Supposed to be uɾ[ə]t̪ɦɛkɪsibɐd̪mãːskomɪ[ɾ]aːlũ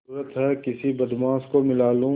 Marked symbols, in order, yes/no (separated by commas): yes, no